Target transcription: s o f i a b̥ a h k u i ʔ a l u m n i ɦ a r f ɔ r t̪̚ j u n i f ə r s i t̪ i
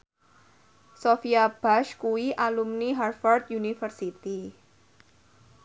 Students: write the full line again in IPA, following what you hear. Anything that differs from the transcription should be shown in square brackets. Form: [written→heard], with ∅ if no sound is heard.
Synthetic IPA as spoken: s o f i a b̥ a [h→ʃ] k u i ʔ a l u m n i ɦ a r f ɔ r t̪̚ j u n i f ə r s i t̪ i